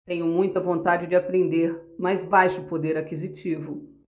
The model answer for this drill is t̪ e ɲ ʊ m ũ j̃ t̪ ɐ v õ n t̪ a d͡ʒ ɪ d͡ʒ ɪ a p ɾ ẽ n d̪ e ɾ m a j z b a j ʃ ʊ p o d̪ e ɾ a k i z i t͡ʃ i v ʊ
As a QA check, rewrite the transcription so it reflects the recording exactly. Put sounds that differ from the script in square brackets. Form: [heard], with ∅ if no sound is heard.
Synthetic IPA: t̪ [ẽ] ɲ ʊ m ũ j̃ t̪ ɐ v õ n t̪ a d͡ʒ ɪ d͡ʒ ɪ a p ɾ ẽ n d̪ e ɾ m a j z b a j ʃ ʊ p o d̪ e ɾ a k i z i t͡ʃ i v ʊ